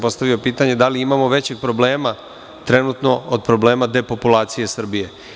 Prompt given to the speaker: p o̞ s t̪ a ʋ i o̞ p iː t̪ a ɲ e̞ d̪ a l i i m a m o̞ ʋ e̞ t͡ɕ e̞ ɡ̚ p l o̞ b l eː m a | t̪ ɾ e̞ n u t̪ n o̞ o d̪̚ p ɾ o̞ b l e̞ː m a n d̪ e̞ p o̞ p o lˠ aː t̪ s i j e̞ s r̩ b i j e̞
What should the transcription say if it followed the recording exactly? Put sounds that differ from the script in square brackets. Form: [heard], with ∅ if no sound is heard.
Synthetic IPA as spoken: p o̞ s t̪ a ʋ i o̞ p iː t̪ a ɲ e̞ d̪ a l i i m a m o̞ ʋ e̞ t͡ɕ e̞ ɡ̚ p [ɾ] o̞ b l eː m a | t̪ ɾ e̞ n u t̪ n o̞ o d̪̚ p ɾ o̞ b l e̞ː m a [∅] d̪ e̞ p o̞ p [u] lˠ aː t̪ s i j e̞ s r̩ b i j e̞